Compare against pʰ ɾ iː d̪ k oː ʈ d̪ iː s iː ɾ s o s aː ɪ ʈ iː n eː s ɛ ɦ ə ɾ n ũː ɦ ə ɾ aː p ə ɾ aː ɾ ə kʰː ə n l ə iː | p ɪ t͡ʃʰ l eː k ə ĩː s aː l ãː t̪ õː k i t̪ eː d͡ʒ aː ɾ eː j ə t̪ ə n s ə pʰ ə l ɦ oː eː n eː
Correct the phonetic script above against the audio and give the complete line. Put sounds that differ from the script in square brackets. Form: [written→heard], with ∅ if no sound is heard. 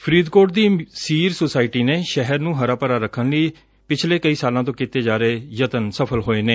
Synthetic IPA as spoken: pʰ ɾ iː d̪ k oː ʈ d̪ iː s iː ɾ s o s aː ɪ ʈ iː n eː [s→ʃ] ɛ ɦ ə ɾ n ũː ɦ ə ɾ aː p ə ɾ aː ɾ ə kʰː ə n l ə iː | p ɪ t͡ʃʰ l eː k ə [ĩː→iː] s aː l ãː t̪ õː k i t̪ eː d͡ʒ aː ɾ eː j ə t̪ ə n s ə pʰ ə l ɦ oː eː n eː